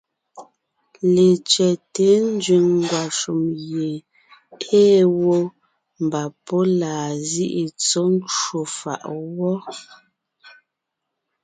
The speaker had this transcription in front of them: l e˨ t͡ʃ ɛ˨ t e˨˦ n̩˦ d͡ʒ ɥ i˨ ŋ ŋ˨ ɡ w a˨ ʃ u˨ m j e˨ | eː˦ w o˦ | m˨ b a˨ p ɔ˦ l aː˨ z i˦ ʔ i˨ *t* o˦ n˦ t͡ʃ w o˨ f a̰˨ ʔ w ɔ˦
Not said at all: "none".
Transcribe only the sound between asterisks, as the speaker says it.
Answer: t͡s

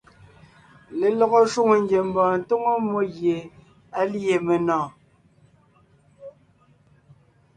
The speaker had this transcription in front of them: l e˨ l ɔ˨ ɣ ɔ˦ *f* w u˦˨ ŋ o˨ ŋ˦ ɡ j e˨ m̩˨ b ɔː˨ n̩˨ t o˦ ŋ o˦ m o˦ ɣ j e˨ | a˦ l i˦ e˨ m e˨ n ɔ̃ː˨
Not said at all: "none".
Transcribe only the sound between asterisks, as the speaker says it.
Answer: ʃ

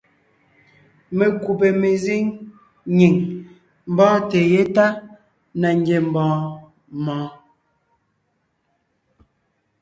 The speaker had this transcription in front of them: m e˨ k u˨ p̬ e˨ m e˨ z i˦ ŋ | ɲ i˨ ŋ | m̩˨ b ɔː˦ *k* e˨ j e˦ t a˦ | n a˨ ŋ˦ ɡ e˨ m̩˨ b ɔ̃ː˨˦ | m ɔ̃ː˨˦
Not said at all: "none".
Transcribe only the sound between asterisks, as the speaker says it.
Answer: t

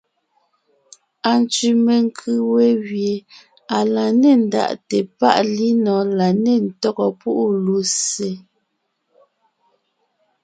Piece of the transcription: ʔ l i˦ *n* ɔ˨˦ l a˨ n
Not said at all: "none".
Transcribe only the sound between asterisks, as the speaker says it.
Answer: n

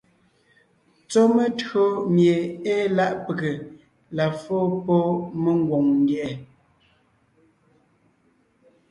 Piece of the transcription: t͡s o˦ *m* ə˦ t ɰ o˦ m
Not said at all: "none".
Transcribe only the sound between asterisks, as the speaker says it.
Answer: m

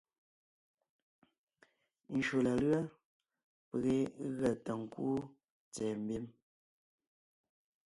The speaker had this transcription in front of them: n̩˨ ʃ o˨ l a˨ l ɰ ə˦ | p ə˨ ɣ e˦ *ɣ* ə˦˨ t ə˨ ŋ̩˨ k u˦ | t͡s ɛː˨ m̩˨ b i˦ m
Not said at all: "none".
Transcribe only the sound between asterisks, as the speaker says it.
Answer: ɣ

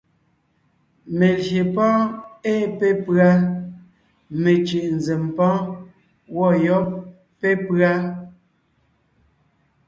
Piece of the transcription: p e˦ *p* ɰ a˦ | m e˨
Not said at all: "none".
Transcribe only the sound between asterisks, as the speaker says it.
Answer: p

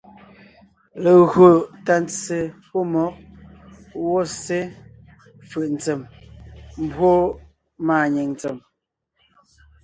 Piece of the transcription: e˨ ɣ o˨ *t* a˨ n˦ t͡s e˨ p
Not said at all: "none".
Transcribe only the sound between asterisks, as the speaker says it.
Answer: t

